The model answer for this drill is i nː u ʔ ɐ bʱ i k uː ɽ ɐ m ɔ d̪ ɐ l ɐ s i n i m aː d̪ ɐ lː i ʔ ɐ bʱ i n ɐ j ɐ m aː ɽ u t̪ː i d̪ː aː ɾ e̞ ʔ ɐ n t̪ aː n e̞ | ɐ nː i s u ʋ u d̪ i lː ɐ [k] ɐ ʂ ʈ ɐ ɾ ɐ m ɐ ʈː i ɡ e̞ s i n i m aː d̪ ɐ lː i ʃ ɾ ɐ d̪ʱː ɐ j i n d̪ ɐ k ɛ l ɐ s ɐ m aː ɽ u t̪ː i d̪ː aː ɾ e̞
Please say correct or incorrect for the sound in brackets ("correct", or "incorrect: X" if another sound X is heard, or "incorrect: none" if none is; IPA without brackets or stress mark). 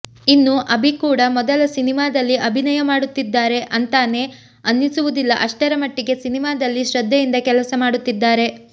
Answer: incorrect: ʔ